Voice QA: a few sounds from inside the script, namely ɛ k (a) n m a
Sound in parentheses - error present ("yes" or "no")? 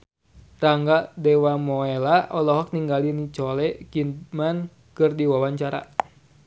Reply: yes